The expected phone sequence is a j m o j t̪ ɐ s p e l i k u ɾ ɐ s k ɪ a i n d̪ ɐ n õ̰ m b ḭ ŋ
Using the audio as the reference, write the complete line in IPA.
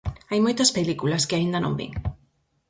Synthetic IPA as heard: a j m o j t̪ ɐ s p e l i k u l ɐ s k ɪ a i n d̪ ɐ n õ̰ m b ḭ ŋ